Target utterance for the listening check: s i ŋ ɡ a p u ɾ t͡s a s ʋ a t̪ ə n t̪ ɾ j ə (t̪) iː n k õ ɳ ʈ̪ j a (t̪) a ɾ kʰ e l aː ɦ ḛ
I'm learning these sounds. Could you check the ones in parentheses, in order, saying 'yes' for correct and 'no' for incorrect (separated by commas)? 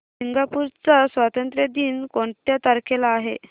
no, yes